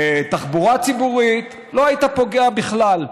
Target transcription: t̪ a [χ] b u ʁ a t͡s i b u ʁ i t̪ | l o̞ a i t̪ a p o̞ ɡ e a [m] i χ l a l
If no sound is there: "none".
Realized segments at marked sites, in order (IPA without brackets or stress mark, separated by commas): χ, b